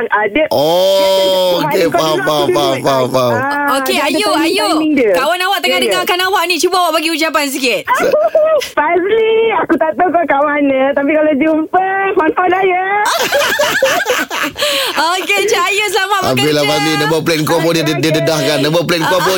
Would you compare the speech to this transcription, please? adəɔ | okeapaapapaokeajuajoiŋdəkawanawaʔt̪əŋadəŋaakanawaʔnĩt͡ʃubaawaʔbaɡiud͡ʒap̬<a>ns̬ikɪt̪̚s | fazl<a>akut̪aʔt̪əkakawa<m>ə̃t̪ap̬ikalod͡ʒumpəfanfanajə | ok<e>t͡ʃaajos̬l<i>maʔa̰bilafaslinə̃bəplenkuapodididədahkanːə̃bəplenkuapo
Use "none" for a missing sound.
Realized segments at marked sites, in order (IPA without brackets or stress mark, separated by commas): a, i, n, e, a